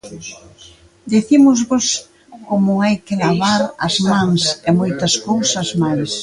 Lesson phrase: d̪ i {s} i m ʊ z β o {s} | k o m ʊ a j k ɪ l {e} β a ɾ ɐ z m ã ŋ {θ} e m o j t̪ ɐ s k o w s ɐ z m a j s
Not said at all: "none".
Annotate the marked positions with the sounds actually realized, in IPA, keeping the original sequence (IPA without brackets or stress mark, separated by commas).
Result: θ, s, a, s